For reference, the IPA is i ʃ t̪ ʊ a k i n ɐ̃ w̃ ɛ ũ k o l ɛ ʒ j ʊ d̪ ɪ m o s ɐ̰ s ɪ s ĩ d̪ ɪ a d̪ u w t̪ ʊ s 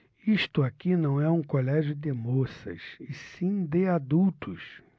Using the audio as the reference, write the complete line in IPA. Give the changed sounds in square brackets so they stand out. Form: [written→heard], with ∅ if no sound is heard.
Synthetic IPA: i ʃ t̪ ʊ a k i n ɐ̃ w̃ ɛ ũ k o l ɛ ʒ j ʊ d̪ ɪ m o s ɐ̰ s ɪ s ĩ d̪ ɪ a d̪ u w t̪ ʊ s